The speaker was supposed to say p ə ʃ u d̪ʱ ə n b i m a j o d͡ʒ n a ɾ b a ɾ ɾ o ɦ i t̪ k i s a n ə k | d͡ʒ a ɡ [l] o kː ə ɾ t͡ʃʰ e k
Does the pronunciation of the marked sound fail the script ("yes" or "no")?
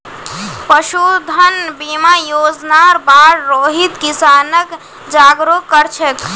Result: yes